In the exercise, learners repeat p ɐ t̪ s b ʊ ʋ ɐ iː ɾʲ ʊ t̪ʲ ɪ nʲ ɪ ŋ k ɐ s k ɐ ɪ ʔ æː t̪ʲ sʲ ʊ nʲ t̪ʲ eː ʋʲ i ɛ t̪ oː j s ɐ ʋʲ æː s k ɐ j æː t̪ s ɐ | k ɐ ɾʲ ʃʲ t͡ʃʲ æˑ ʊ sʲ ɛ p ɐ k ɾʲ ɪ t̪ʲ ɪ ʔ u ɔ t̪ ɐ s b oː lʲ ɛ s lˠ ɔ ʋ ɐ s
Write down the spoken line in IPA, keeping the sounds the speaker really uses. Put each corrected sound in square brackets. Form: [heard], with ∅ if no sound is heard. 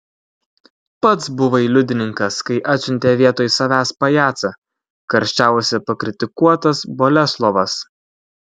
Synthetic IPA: p ɐ t̪ s b ʊ ʋ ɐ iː [lʲ] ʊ [d̪ʲ] ɪ nʲ ɪ ŋ k ɐ s k ɐ ɪ ʔ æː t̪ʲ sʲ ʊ nʲ t̪ʲ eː ʋʲ i ɛ t̪ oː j s ɐ ʋʲ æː s [p] ɐ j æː t̪ s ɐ | k ɐ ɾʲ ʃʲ t͡ʃʲ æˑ ʊ sʲ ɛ p ɐ k ɾʲ ɪ t̪ʲ ɪ [k] u ɔ t̪ ɐ s b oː lʲ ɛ s lˠ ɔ ʋ ɐ s